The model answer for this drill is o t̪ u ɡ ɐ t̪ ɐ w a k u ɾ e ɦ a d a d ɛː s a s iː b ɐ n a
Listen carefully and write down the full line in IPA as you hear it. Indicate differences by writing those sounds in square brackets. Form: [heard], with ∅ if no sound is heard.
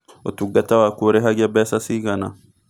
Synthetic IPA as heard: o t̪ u ɡ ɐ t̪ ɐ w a k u ɾ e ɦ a [ɡ] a [b] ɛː s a s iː [ɡ] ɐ n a